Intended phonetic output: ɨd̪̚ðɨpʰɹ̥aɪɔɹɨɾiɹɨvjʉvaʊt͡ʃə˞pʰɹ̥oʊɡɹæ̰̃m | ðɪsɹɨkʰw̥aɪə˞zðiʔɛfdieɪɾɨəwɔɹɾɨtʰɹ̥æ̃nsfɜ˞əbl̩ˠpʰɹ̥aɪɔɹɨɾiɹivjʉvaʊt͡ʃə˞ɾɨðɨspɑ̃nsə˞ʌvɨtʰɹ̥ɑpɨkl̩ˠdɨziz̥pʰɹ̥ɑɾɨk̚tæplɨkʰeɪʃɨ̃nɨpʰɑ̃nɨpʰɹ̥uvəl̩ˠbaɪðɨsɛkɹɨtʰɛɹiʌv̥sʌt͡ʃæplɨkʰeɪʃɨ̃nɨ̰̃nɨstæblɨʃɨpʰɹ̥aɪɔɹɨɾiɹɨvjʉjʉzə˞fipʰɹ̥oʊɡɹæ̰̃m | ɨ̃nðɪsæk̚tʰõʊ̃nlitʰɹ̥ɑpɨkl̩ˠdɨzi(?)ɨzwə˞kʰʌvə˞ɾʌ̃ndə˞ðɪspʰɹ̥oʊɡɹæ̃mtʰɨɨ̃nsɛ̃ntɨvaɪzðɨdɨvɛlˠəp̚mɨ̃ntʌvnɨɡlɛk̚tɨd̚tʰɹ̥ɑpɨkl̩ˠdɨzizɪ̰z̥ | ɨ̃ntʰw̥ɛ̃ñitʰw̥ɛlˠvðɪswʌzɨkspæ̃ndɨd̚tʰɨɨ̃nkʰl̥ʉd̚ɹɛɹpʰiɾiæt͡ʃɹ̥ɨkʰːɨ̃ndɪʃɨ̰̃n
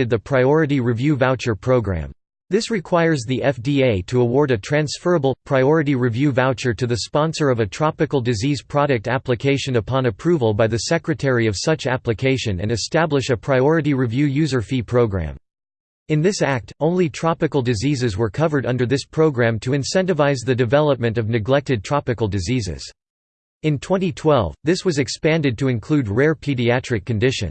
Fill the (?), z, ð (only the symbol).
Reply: z